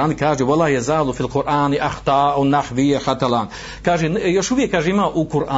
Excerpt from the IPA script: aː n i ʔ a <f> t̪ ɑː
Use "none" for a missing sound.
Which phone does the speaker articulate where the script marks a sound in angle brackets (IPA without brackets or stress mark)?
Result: x